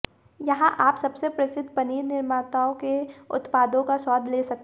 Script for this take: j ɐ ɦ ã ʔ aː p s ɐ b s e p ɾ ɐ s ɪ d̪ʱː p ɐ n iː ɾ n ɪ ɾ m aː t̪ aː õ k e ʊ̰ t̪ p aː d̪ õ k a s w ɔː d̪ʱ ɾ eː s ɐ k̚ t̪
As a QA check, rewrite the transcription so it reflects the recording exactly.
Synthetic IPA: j ɐ ɦ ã ʔ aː p s ɐ b s e p ɾ ɐ s ɪ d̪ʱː p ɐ n iː ɾ n ɪ ɾ m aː t̪ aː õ k e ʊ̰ t̪ p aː d̪ õ k a s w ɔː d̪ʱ l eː s ɐ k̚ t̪